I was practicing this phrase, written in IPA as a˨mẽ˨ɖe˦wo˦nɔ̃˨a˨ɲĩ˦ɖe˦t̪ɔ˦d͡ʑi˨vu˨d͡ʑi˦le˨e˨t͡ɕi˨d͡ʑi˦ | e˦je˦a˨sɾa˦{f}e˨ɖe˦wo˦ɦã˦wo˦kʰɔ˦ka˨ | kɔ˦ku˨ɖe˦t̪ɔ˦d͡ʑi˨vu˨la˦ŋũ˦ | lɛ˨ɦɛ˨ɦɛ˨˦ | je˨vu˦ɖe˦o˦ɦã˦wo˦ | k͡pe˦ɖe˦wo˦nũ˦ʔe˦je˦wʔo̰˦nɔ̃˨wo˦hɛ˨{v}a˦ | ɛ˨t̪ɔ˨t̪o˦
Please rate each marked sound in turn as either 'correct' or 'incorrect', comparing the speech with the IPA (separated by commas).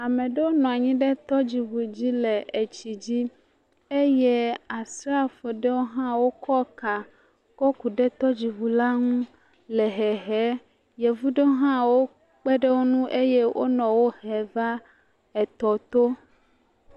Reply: correct, correct